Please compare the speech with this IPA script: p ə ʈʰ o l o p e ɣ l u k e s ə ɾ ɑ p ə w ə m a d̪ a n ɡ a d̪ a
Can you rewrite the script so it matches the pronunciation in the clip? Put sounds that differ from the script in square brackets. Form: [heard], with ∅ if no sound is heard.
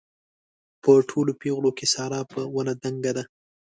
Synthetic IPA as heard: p ə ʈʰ o l o p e ɣ l [o] k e s [ɑ] ɾ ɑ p ə w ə [n] a d̪ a [ŋ] ɡ a d̪ a